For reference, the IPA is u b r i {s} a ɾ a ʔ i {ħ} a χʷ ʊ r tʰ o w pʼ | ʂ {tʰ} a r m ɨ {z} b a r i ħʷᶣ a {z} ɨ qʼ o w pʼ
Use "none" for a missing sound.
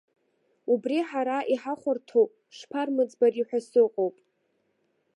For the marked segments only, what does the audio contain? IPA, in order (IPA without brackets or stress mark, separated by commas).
ħ, ħ, pʰ, d͡z, s